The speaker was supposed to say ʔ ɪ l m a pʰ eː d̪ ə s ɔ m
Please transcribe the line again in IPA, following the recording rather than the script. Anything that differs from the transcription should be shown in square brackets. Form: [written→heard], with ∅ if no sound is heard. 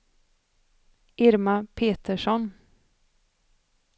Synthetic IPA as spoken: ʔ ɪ [l→ɾ] m a pʰ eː [d̪→t̪] ə [s→ʂ] ɔ [m→n]